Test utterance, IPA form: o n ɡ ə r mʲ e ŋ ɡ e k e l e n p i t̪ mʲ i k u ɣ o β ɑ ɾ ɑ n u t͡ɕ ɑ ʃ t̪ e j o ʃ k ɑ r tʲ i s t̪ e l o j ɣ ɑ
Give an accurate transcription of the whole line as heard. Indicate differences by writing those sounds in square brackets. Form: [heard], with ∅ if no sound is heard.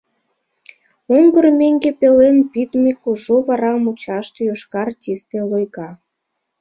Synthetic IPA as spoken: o [ŋ] ɡ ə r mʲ e ŋ ɡ e [p] e l e n p i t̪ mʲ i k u [ʒ] o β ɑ ɾ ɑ [m] u t͡ɕ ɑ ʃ t̪ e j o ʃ k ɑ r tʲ i s t̪ e l o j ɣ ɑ